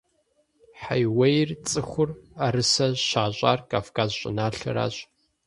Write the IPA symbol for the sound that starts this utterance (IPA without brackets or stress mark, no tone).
ħ